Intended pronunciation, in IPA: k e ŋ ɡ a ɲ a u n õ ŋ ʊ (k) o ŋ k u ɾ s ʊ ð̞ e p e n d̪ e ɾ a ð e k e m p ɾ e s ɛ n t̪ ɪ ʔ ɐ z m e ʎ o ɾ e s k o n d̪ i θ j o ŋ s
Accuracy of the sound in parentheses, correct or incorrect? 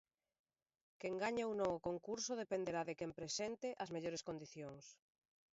correct